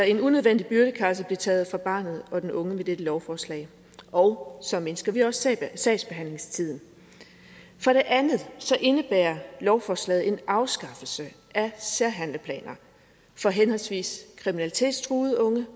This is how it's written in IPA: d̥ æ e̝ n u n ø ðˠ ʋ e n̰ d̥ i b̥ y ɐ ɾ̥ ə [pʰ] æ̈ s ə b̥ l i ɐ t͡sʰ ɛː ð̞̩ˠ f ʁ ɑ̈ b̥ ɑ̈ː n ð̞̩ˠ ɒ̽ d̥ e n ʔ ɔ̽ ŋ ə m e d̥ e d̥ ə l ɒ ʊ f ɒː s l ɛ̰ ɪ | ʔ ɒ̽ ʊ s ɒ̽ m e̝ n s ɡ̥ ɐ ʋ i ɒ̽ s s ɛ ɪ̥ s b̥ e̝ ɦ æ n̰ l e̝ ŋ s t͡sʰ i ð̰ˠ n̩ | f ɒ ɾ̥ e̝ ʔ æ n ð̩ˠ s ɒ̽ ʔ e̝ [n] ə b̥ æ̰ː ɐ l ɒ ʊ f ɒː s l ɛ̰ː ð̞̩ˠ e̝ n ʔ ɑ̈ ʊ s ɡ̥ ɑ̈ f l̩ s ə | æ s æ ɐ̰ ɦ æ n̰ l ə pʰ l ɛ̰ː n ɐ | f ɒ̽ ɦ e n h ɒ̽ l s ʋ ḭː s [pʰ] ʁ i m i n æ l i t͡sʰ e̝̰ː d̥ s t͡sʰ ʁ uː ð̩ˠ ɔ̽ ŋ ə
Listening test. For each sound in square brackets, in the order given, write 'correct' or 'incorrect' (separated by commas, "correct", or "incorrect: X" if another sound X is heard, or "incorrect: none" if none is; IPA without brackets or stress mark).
incorrect: kʰ, correct, incorrect: kʰ